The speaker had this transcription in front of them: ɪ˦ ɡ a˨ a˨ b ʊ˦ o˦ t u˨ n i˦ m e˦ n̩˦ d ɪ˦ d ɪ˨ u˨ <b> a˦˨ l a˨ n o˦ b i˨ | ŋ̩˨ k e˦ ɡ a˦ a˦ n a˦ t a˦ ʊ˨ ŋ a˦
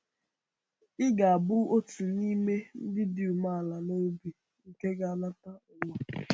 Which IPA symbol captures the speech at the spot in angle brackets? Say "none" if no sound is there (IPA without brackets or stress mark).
m